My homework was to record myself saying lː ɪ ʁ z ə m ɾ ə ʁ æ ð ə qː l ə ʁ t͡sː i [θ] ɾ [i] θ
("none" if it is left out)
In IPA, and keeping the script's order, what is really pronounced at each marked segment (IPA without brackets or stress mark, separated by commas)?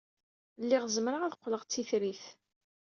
θ, i